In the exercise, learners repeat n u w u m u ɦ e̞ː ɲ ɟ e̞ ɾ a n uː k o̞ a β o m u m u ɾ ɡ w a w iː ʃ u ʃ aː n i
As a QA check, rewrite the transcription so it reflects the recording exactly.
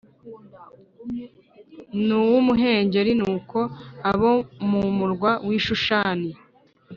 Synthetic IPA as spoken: n u w u m u ɦ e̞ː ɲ ɟ e̞ ɾ i n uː k o̞ a β o m u m u ɾ ɡ w a w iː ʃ u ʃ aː n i